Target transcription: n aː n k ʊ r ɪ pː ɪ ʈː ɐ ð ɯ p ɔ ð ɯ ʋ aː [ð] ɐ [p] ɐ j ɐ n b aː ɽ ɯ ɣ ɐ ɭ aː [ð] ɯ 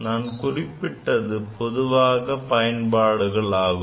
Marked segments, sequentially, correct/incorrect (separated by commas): incorrect, correct, incorrect